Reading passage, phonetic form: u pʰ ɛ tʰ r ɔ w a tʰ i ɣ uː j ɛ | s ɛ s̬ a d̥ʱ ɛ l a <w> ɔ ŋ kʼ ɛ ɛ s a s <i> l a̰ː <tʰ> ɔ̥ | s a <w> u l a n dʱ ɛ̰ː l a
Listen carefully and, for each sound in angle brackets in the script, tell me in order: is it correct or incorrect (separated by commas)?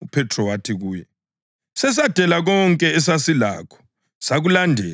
incorrect, correct, incorrect, incorrect